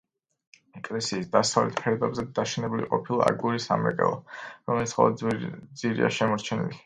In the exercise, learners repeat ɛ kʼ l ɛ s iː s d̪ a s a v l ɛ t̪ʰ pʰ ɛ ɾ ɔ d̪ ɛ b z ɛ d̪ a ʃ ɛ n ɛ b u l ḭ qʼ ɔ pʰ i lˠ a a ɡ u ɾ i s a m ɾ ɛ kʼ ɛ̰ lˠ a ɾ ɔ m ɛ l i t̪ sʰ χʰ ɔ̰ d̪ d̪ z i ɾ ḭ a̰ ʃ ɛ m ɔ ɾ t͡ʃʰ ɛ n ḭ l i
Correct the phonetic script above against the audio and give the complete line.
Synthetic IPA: ɛ kʼ l ɛ s iː s d̪ a s a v l ɛ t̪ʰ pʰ ɛ ɾ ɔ d̪ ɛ b z ɛ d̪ a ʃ ɛ n ɛ b u l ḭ qʼ ɔ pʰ i lˠ a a ɡ u ɾ i s a m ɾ ɛ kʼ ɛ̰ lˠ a ɾ ɔ m ɛ l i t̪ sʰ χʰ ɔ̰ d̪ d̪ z i ɾ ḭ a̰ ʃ ɛ m ɔ ɾ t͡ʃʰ ɛ n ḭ l i